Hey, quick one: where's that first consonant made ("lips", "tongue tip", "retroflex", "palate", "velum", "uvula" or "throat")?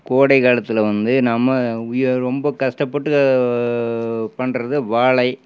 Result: velum